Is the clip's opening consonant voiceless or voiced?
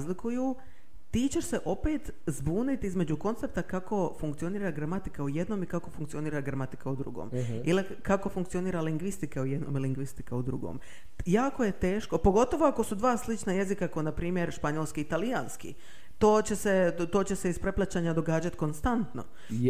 voiced